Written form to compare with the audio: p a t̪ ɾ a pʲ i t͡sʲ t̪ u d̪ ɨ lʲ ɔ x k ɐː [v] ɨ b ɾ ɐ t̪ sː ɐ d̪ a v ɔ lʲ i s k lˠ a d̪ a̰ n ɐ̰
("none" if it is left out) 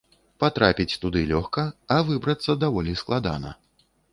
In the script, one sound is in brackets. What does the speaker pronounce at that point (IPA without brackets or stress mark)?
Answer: v